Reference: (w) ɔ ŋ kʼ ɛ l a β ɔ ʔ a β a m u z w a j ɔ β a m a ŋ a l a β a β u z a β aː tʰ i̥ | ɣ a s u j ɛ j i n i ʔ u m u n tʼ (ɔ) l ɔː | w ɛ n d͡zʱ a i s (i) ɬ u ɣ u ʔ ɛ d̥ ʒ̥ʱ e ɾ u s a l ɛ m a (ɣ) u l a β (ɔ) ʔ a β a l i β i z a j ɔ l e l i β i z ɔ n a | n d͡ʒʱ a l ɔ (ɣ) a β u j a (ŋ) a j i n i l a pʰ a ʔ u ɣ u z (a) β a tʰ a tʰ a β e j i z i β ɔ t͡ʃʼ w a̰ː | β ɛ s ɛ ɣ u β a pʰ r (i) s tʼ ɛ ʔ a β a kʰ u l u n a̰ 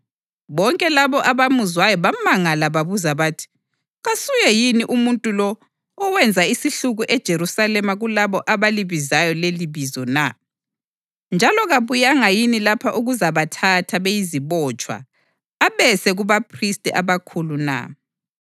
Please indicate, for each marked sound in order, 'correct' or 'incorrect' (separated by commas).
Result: incorrect, incorrect, correct, correct, correct, correct, correct, correct, correct